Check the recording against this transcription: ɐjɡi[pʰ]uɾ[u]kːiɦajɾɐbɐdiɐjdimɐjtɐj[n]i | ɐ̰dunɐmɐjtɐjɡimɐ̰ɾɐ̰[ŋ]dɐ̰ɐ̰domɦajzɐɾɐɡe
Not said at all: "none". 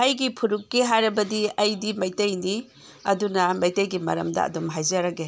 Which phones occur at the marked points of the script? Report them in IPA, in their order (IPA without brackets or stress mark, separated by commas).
pʰ, u, n, m